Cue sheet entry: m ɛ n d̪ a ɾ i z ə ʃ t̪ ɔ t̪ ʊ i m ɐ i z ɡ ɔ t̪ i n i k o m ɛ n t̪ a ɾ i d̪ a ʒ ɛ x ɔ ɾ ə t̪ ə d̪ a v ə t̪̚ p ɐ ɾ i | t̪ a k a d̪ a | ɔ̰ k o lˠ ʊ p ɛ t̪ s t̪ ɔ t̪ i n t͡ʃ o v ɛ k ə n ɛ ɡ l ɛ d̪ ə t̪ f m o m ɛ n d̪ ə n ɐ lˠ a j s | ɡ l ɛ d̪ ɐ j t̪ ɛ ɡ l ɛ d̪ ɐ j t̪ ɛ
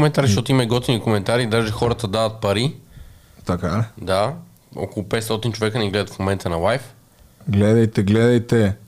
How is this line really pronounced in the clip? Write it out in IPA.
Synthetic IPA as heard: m ɛ n t̪ a ɾ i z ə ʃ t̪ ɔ t̪ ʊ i m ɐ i ɡ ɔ t̪ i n i k o m ɛ n t̪ a ɾ i d̪ a ʒ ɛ x ɔ ɾ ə t̪ ə d̪ a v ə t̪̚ p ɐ ɾ i | t̪ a k a d̪ a | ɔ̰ k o lˠ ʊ p ɛ t̪ s t̪ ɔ t̪ i n t͡ʃ o v ɛ k ə n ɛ ɡ l ɛ d̪ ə t̪ f m o m ɛ n t̪ ə n ɐ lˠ a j f | ɡ l ɛ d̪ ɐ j t̪ ɛ ɡ l ɛ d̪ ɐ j t̪ ɛ